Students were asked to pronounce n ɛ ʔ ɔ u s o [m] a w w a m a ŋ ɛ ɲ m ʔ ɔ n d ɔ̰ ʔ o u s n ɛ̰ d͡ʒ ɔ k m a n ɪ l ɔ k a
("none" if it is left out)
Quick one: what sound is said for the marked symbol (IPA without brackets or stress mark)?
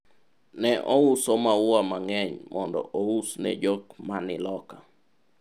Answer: m